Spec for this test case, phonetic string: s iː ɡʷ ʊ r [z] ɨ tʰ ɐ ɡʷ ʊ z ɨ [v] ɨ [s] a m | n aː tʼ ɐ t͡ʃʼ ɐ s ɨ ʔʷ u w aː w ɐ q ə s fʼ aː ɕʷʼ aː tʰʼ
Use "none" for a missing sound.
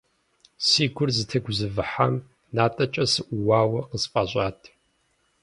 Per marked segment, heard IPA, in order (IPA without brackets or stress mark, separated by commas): z, v, ħ